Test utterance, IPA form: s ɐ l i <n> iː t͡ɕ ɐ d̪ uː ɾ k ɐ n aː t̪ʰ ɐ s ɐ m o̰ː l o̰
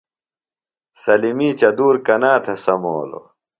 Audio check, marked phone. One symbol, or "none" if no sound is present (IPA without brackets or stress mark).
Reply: m